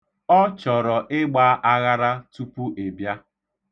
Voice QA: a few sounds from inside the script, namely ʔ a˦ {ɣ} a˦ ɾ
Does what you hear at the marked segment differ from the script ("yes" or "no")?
no